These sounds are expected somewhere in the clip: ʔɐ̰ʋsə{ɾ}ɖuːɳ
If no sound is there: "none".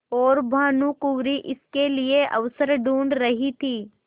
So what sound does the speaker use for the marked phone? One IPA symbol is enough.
ɾ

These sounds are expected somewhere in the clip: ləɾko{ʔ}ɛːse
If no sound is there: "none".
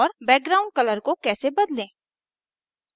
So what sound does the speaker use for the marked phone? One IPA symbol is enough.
k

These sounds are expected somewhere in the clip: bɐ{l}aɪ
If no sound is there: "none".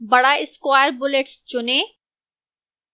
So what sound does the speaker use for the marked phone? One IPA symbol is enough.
ɽ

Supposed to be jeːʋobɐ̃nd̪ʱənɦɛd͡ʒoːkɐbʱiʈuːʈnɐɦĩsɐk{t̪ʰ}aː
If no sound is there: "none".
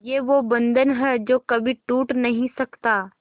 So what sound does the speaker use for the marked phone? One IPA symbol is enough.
t̪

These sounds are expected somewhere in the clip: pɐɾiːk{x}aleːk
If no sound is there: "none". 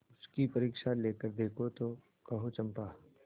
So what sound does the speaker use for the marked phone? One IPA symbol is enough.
ʃ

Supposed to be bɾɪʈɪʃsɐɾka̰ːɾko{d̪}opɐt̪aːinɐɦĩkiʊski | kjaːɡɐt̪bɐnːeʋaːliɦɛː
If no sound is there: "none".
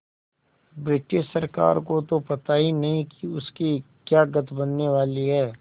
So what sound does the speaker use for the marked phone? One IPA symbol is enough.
t̪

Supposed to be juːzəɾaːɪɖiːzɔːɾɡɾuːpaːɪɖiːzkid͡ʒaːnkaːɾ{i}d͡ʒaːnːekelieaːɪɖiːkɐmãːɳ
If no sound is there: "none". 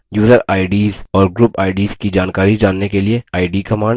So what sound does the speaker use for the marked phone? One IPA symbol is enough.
i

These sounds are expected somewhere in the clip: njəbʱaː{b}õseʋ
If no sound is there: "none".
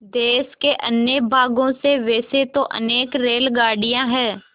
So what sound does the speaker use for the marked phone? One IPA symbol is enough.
ɡ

